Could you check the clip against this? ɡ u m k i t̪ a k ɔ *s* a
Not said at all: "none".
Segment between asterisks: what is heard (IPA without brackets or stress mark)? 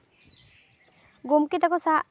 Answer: s